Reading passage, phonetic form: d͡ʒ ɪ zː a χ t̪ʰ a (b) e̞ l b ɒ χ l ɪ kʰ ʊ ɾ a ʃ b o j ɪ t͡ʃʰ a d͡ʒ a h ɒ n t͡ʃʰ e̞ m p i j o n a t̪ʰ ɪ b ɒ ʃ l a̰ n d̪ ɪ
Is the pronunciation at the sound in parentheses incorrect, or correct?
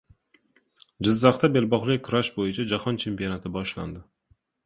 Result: correct